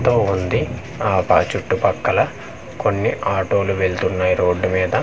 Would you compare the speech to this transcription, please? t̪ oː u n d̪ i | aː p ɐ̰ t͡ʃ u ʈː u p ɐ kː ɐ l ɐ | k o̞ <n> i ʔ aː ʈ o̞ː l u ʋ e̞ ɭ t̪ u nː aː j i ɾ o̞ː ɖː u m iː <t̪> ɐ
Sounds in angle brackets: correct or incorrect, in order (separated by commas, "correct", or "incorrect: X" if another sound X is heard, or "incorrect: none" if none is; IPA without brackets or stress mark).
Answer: incorrect: nː, incorrect: d̪